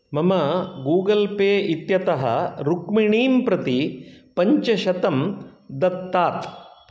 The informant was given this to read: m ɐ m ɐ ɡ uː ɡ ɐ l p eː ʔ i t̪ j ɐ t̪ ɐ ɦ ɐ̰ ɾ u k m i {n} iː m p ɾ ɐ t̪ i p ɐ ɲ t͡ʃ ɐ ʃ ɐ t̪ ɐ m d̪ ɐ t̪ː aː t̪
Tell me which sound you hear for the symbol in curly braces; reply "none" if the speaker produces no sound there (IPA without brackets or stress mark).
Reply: ɳ